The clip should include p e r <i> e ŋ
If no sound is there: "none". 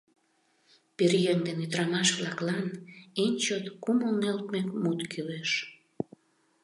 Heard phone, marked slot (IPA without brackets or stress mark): j